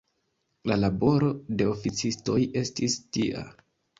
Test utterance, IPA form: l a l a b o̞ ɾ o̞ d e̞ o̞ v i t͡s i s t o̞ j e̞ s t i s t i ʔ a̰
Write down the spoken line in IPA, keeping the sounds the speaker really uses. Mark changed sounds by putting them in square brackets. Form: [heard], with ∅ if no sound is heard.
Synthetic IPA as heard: l a l a b o̞ ɾ o̞ d e̞ o̞ [f] i t͡s i s t o̞ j e̞ s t i s t i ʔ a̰